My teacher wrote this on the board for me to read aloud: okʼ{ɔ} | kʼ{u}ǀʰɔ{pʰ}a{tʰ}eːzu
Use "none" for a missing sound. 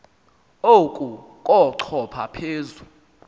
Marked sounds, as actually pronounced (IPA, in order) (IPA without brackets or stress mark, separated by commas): u, ɔ, pʰ, pʰ